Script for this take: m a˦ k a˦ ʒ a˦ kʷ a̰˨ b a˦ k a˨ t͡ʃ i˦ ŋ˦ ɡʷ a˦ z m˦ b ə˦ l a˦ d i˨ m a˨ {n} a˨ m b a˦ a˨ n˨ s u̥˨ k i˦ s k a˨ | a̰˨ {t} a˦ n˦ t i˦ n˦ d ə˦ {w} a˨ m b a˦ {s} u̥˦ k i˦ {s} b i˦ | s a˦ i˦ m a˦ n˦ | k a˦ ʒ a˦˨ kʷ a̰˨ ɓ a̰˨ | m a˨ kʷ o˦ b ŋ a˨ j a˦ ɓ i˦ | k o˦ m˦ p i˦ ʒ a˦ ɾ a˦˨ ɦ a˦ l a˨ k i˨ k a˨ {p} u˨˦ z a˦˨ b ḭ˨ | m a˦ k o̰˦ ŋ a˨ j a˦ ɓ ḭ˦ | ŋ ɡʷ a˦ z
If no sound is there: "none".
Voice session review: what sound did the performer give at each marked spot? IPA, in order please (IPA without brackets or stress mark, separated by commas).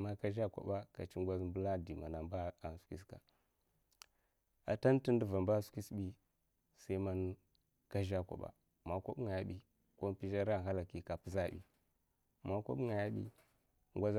n, t, v, s, s, p